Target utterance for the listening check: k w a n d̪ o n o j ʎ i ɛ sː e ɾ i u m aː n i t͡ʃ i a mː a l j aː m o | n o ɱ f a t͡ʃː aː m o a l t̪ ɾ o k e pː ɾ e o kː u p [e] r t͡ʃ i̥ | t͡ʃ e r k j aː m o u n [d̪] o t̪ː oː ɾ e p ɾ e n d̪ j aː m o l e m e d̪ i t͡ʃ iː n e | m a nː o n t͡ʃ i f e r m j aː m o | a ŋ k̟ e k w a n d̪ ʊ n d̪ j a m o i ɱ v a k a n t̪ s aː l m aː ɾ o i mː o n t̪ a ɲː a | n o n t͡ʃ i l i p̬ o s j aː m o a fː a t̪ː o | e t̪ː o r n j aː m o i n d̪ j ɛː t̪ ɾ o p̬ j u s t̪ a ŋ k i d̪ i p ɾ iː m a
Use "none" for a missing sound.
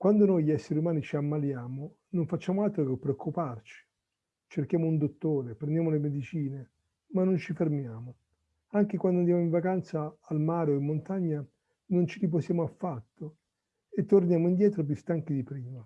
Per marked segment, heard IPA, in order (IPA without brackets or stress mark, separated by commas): a, d̪